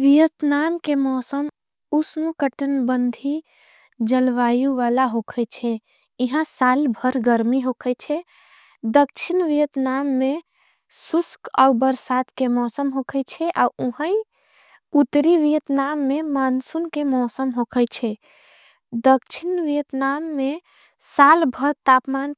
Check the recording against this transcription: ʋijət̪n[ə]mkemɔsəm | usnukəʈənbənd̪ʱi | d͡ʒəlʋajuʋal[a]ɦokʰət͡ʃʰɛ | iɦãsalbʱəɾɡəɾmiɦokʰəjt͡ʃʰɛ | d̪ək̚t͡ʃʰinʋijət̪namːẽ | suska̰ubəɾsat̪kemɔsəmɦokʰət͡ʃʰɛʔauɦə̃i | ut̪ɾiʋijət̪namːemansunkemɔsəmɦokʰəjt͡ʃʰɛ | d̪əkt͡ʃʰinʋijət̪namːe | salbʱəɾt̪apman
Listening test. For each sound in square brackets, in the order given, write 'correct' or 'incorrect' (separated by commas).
incorrect, correct